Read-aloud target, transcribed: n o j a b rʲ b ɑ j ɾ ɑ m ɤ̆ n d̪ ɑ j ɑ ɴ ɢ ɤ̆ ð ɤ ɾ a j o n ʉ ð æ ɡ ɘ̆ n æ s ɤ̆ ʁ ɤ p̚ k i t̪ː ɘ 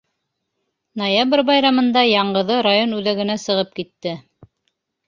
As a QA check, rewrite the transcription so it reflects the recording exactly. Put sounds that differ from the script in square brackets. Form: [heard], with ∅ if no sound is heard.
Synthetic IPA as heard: n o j a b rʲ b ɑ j ɾ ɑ m ɤ̆ n d̪ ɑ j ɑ ɴ ɢ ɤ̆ ð ɤ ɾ a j o n ʉ ð æ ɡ ɘ̆ n æ s ɤ̆ ʁ ɤ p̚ k i t̪ː ɘ